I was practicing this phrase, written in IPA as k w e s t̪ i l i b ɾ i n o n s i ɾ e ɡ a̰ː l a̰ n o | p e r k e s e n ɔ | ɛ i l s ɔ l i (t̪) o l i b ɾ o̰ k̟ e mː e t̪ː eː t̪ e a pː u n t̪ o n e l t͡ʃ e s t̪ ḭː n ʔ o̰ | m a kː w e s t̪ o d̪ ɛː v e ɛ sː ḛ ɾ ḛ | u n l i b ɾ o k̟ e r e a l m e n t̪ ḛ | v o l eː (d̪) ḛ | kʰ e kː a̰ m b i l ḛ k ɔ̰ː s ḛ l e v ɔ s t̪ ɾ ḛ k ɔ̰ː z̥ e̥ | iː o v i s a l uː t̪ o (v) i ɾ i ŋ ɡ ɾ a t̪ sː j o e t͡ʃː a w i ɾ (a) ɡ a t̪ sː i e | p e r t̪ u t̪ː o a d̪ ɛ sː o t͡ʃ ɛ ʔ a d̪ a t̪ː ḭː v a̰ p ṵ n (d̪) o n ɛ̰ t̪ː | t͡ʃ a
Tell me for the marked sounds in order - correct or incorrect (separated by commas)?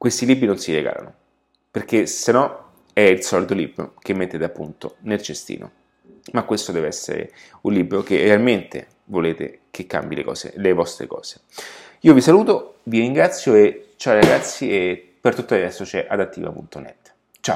correct, incorrect, correct, correct, incorrect